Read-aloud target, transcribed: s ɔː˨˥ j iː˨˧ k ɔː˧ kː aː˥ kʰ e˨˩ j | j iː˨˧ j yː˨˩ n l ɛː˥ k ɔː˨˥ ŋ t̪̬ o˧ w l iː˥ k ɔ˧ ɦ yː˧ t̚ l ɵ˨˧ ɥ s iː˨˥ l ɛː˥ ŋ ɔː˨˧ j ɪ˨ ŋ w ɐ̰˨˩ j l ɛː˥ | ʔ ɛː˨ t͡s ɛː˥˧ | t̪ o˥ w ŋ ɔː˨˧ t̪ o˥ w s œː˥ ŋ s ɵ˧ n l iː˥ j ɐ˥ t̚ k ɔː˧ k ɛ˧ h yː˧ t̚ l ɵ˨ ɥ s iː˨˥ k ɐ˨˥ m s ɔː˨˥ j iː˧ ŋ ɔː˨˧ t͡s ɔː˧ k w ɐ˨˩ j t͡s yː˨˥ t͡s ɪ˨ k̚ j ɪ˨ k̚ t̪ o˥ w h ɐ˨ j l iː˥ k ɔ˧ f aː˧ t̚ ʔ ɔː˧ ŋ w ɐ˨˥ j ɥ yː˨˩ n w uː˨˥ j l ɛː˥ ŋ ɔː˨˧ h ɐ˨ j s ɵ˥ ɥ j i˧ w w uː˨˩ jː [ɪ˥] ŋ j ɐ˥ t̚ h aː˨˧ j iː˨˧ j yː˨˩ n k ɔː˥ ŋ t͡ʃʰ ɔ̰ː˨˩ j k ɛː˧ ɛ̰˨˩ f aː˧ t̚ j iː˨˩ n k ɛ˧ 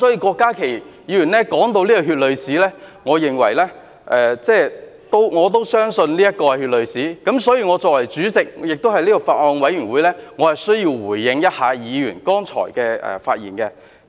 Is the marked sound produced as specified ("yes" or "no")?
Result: no